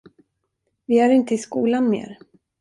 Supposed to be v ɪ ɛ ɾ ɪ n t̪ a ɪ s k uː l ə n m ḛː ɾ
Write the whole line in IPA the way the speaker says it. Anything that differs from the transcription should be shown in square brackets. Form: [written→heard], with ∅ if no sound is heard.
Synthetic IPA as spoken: v ɪ [ɛ→æ] ɾ ɪ n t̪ [a→ə] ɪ s k uː l [ə→a] n m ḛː ɾ